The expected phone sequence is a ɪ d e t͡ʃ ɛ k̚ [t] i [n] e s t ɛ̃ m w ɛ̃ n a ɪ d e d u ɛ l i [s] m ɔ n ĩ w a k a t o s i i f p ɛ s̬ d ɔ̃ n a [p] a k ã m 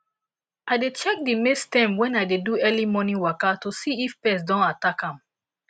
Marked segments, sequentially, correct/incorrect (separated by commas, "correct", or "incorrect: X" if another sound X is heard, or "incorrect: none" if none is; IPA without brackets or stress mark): incorrect: d, incorrect: m, incorrect: none, incorrect: t